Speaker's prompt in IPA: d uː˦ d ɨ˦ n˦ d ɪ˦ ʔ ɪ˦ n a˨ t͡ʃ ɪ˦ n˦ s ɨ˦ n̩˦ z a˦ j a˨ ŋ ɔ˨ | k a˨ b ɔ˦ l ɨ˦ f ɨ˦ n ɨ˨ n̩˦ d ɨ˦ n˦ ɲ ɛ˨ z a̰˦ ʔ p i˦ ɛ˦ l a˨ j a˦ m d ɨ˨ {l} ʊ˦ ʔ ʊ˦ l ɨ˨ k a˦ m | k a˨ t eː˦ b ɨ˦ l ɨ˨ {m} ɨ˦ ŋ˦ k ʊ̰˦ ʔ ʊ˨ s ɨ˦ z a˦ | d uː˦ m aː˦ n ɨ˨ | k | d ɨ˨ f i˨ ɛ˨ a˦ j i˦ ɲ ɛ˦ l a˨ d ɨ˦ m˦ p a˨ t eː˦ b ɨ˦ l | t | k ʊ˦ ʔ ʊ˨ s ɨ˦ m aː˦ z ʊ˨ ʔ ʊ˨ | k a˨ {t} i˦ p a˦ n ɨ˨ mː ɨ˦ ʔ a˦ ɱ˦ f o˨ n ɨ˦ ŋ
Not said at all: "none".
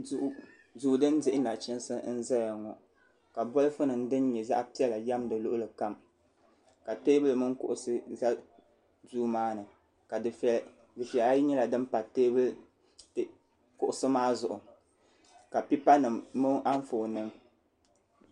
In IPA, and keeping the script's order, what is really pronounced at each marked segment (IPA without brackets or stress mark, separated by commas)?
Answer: l, m, p